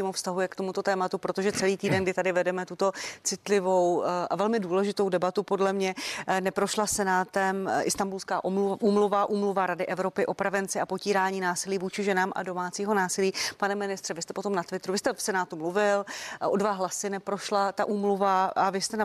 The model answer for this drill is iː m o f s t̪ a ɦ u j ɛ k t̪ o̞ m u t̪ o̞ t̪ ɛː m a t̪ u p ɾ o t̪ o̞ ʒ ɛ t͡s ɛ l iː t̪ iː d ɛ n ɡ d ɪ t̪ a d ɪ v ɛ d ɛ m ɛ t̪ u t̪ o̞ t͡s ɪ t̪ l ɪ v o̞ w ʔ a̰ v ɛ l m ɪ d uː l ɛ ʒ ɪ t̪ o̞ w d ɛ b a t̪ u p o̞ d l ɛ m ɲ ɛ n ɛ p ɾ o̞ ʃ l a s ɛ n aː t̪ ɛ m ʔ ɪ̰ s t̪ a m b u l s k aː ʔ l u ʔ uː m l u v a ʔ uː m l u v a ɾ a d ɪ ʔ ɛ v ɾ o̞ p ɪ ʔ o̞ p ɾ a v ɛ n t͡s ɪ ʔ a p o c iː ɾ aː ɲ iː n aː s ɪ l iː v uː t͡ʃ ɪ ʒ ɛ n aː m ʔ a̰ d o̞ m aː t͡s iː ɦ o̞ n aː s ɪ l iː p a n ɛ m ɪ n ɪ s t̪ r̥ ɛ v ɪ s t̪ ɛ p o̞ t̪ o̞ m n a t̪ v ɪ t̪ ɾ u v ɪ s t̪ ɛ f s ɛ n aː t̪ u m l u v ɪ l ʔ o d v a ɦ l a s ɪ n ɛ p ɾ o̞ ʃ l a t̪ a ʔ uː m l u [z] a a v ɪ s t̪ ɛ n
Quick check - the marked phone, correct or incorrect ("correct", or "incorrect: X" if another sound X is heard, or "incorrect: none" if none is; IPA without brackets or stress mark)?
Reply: incorrect: v